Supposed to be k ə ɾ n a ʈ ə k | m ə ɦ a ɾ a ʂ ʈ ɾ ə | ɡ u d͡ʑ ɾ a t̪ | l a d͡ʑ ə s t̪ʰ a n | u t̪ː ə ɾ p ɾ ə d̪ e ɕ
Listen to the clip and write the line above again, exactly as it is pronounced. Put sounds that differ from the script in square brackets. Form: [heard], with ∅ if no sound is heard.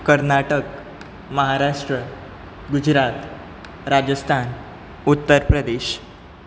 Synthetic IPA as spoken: k ə ɾ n a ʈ ə k | m ə ɦ a ɾ a ʂ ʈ ɾ ə | ɡ u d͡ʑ ɾ a t̪ | [ɾ] a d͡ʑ ə s t̪ʰ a n | u t̪ː ə ɾ p ɾ ə d̪ e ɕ